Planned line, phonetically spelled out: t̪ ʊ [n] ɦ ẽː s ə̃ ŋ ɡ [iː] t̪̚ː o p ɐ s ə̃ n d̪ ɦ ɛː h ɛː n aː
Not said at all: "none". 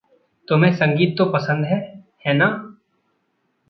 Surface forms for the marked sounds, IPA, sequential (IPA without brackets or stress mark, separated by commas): m, iː